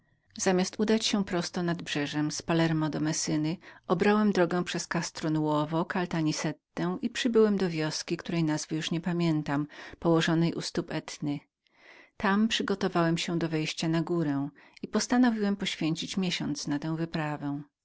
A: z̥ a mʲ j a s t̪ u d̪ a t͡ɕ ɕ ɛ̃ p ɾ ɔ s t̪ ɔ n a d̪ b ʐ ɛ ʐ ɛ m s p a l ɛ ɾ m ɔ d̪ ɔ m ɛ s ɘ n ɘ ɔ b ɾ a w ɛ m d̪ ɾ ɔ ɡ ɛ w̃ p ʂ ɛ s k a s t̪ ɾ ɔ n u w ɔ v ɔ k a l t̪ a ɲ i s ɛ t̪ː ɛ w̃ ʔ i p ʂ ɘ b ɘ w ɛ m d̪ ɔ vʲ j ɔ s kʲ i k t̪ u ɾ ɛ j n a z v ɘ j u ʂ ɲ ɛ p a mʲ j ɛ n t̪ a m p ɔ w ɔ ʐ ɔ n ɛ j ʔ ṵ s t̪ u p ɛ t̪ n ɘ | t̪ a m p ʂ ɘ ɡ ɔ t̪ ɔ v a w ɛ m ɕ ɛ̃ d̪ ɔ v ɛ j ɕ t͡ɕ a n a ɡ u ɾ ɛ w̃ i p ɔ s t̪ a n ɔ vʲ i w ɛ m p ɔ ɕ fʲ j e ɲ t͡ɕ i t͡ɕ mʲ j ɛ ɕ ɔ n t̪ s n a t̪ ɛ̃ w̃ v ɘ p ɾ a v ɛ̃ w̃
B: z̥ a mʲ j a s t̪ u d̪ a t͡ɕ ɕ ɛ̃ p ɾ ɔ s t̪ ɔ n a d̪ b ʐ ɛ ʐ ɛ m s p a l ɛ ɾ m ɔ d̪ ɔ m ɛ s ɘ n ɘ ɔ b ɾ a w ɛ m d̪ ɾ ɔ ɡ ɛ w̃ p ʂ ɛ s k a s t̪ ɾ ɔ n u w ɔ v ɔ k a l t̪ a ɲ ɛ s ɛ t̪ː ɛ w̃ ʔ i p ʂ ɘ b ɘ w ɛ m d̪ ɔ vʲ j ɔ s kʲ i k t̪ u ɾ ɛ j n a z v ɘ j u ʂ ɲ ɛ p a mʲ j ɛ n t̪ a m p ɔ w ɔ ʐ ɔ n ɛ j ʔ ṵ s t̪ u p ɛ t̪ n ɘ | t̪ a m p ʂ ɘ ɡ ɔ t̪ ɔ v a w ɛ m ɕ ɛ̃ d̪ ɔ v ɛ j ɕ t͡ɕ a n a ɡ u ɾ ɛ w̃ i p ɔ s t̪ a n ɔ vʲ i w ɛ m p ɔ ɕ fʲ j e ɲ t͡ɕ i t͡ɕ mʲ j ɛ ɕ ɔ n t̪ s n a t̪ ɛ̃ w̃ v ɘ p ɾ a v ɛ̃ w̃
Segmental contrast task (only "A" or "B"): A